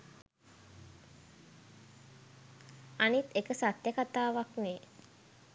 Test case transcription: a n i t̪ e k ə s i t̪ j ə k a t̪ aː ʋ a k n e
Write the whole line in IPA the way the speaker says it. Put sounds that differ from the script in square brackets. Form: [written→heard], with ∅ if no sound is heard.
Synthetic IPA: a n i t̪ e k ə s [i→a] t̪ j ə k a t̪ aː ʋ a k n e